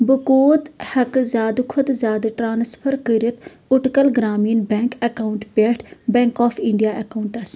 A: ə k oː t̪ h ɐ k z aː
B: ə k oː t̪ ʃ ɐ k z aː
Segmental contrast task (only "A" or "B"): A